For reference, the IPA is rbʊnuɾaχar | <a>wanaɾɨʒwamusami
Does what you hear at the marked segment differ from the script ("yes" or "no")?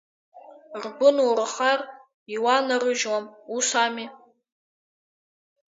yes